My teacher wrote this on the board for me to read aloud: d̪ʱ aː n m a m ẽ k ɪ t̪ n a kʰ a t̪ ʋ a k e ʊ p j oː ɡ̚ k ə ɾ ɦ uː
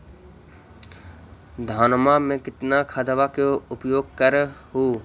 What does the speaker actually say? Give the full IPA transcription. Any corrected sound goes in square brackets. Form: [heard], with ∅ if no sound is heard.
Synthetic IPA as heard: d̪ʱ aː n m a m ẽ k ɪ t̪ n a kʰ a [d̪] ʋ a k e ʊ p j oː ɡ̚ k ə ɾ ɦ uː